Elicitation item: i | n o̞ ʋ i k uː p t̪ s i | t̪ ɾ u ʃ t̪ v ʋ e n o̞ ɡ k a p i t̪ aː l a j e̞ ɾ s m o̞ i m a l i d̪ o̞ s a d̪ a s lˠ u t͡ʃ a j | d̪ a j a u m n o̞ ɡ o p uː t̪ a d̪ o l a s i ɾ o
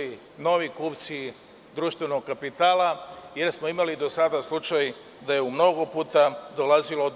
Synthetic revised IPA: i | n o̞ ʋ i k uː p t̪ s i | d̪ ɾ u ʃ t̪ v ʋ e n o̞ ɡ k a p i t̪ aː l a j e̞ ɾ s m o̞ i m a l i d̪ o̞ s a d̪ a s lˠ u t͡ʃ a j | d̪ a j e u m n o̞ ɡ o p uː t̪ a d̪ o l a z i l o